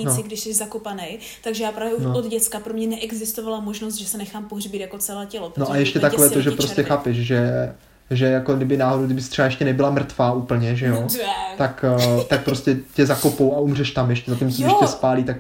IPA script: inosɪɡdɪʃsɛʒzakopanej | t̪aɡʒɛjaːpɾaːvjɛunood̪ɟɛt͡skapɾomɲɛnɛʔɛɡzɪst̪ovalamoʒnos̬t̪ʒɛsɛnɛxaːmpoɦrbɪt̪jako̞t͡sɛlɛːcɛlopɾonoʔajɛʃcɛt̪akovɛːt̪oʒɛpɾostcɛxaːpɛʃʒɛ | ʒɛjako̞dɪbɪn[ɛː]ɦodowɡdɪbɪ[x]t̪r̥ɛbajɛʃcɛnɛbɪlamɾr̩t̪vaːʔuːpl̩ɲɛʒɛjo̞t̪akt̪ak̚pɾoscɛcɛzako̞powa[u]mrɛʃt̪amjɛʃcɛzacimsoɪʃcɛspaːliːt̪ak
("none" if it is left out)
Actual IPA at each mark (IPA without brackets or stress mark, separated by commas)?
aː, s, u